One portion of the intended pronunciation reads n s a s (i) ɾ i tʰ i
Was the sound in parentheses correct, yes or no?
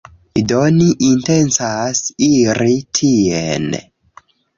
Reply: yes